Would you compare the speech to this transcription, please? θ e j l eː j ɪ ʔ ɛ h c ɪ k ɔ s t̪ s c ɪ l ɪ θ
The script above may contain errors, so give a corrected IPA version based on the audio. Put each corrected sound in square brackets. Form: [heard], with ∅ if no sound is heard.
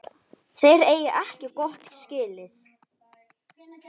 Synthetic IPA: θ e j [ɾ] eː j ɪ ʔ ɛ h c ɪ k ɔ [h] t̪ s c [ɪː] l ɪ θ